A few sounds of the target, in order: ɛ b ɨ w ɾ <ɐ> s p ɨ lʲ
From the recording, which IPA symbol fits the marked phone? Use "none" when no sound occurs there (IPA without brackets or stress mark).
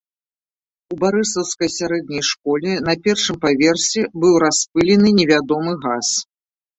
a